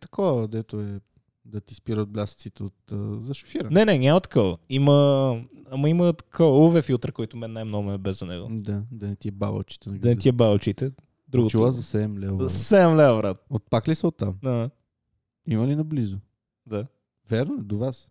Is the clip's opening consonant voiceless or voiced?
voiceless